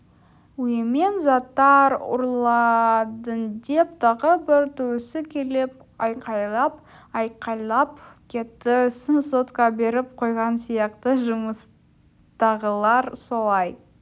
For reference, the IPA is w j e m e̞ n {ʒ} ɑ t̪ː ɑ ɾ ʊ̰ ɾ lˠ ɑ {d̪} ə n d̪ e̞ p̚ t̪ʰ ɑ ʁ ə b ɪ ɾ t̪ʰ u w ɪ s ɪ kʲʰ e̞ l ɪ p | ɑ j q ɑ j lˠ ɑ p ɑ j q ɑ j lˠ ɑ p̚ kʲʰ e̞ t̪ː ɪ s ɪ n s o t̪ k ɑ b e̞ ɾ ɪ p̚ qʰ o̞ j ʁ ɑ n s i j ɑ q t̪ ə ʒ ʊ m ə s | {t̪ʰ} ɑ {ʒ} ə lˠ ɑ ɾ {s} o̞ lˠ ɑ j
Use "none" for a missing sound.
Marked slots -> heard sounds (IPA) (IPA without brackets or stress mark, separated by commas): z, d̪, t̪, ʁ, s